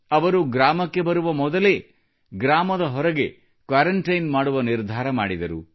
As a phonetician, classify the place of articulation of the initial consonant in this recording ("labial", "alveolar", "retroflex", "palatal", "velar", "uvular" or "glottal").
labial